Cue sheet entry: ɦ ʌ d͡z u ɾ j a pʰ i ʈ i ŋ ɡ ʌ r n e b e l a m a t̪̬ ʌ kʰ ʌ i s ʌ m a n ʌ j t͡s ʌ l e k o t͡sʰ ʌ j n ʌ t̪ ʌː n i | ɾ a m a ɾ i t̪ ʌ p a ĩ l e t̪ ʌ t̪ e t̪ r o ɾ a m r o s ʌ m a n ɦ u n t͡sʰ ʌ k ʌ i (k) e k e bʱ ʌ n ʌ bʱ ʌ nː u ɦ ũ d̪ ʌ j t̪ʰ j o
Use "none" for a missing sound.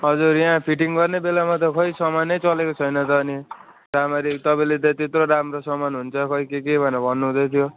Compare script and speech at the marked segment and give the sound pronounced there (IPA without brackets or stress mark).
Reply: k